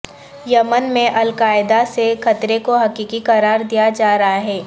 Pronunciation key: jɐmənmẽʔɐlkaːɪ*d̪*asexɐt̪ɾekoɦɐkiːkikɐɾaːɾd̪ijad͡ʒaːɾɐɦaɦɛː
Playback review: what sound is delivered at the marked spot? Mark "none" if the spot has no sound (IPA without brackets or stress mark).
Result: d̪